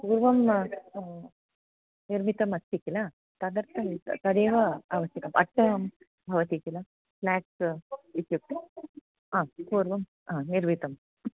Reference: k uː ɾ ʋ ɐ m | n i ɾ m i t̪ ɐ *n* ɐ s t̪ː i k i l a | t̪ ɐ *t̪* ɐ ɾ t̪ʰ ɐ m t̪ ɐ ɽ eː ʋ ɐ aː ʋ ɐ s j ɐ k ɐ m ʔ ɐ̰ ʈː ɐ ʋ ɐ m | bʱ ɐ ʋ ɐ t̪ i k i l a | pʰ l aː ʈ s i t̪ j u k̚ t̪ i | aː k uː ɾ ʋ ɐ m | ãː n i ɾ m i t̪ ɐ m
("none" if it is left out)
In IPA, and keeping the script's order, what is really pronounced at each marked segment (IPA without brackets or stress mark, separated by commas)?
m, d̪